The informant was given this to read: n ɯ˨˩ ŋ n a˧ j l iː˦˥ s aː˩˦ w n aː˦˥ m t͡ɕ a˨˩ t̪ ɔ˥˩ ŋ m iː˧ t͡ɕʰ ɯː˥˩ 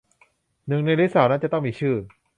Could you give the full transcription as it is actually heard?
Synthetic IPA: n ɯ˨˩ ŋ n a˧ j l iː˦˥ s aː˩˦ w n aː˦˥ n t͡ɕ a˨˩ t̪ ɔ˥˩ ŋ m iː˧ t͡ɕʰ ɯː˥˩